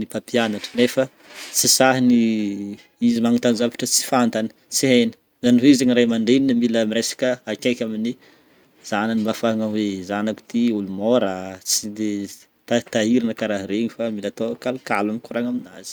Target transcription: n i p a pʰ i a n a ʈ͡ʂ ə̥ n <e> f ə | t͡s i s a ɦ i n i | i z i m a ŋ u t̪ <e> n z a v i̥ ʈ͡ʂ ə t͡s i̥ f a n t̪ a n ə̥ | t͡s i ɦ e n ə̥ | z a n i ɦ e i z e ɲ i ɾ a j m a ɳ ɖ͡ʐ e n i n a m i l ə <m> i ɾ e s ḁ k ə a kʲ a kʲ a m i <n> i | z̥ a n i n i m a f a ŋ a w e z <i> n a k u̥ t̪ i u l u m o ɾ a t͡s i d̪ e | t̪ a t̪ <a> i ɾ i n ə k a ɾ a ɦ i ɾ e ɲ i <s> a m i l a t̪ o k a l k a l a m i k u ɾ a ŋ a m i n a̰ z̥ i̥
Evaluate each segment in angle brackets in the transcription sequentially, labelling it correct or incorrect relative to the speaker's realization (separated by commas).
correct, incorrect, correct, correct, incorrect, correct, incorrect